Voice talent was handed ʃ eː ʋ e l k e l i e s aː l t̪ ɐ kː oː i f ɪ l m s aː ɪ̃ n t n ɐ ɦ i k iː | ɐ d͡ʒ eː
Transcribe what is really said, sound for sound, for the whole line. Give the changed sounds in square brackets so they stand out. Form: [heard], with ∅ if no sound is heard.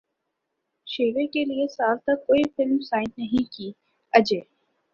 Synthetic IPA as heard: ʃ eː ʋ e [∅] k e l i e s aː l t̪ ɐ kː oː i f ɪ l m s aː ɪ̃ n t n ɐ ɦ [ĩ] k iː | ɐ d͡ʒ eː

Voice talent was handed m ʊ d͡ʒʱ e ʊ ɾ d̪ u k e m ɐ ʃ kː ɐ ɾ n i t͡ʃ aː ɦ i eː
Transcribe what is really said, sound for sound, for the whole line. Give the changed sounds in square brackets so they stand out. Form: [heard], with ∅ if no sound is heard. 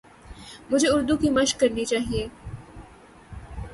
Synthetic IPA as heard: m ʊ d͡ʒʱ e ʊ ɾ d̪ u k [i] m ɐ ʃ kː ɐ ɾ n i t͡ʃ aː ɦ i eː

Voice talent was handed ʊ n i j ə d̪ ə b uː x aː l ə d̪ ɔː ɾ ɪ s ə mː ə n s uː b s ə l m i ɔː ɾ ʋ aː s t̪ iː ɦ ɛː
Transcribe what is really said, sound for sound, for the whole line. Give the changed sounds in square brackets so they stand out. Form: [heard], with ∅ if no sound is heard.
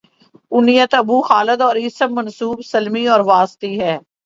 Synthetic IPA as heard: ʊ n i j ə [t̪] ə b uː x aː l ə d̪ ɔː ɾ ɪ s ə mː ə n s uː b s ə l m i ɔː ɾ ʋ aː s t̪ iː ɦ ɛː

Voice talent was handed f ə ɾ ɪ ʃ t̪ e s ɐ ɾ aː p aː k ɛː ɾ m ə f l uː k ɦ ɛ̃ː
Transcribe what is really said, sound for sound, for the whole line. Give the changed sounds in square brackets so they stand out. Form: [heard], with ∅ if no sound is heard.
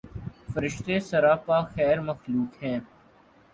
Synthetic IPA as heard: f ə ɾ ɪ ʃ t̪ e s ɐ ɾ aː p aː [x] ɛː ɾ m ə [x] l uː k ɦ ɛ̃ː

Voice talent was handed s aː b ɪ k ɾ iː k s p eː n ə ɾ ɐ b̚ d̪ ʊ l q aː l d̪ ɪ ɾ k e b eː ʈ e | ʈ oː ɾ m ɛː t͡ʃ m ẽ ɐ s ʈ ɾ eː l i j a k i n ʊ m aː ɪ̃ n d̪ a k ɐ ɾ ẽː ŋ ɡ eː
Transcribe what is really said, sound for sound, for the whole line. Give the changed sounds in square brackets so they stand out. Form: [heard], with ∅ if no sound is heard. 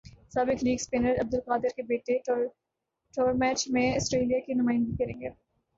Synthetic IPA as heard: s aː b ɪ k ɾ iː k s p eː n ə ɾ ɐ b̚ d̪ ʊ l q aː [∅] d̪ ɪ ɾ k e b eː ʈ e | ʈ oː ɾ m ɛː t͡ʃ m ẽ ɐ s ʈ ɾ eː l i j a k i n ʊ m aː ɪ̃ n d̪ [i] k ɐ ɾ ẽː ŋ ɡ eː

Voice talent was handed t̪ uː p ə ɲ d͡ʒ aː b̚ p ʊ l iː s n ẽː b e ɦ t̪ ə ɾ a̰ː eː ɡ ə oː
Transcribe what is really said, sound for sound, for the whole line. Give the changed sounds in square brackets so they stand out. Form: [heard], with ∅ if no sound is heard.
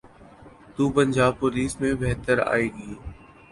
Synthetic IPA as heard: t̪ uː p ə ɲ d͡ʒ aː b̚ p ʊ l iː s [m] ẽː b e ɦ t̪ ə ɾ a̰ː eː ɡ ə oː

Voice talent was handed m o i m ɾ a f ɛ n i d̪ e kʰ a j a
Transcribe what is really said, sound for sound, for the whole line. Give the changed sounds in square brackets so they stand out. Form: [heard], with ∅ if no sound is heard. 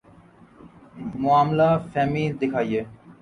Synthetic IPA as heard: m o [a] m [l] a f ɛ [m] i d̪ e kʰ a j [e]

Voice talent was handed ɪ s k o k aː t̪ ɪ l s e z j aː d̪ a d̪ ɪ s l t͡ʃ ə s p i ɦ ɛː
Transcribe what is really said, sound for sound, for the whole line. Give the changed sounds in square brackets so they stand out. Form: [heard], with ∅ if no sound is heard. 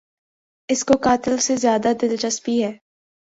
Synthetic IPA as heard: ɪ s k o k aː t̪ ɪ l s e z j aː d̪ a d̪ ɪ [∅] l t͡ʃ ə s p i ɦ ɛː

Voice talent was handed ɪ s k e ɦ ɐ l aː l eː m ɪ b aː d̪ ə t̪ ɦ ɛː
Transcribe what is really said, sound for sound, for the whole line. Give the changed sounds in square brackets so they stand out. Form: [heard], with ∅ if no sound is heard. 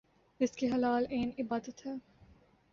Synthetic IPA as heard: ɪ s k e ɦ ɐ l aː l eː [n] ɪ b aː d̪ ə t̪ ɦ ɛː

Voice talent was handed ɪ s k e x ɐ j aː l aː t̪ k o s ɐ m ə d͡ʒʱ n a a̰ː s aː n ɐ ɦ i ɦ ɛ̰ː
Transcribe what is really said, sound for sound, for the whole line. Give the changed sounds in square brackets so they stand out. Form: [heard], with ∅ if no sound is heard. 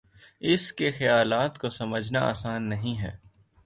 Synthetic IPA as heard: ɪ s k e x ɐ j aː l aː t̪ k o s ɐ m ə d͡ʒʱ n a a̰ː s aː [nː] ɐ ɦ [ĩ] ɦ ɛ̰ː

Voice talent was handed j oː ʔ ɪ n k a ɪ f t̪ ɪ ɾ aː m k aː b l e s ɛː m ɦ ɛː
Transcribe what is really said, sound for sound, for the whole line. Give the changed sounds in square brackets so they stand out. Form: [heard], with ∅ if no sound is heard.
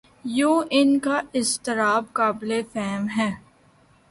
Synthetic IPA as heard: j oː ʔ ɪ n k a ɪ [s] t̪ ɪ ɾ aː [b] k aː b l e [f] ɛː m ɦ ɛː

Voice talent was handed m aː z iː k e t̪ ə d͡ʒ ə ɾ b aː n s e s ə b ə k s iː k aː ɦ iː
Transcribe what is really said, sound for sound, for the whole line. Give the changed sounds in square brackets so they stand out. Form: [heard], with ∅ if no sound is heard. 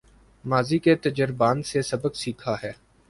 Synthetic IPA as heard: m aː z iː k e t̪ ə d͡ʒ ə ɾ b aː n s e s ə b ə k s iː [kʰ] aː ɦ [ɛː]

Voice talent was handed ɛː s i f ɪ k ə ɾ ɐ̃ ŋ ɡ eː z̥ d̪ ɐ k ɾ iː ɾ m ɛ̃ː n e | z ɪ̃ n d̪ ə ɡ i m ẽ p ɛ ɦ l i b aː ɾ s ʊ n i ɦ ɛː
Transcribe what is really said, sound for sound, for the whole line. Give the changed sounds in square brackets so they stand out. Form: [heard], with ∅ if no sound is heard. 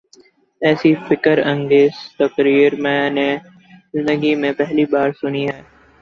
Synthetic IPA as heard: ɛː s i f ɪ k ə ɾ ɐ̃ ŋ ɡ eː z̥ [t̪] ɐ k ɾ iː ɾ m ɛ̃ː n e | z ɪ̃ n d̪ ə ɡ i m ẽ p ɛ ɦ l i b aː ɾ s ʊ n i ɦ ɛː

